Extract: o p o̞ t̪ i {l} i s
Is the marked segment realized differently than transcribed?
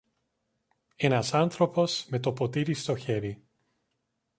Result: yes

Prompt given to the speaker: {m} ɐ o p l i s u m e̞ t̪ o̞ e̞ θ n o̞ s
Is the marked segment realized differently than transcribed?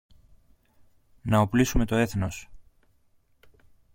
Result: yes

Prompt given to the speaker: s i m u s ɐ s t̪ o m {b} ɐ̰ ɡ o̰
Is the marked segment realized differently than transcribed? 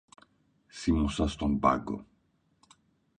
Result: no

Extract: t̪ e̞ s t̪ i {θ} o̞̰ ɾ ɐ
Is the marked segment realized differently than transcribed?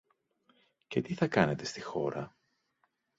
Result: yes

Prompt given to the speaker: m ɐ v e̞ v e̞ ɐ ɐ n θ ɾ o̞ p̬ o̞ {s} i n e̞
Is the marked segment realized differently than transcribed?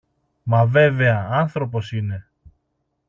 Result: no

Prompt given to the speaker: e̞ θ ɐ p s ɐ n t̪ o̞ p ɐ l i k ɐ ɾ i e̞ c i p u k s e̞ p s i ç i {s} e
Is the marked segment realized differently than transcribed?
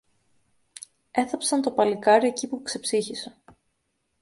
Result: no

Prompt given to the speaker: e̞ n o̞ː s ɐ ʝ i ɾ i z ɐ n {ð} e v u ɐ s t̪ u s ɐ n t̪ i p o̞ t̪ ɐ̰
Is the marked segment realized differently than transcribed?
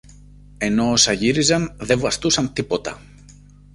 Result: no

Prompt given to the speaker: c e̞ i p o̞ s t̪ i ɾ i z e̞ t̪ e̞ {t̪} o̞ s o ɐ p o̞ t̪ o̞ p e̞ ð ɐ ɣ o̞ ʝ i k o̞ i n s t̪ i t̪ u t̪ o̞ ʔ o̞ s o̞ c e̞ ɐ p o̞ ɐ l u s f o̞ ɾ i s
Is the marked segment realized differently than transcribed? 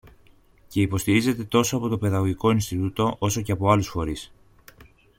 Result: no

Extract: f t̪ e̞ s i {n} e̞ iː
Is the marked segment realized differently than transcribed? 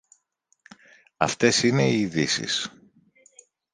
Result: no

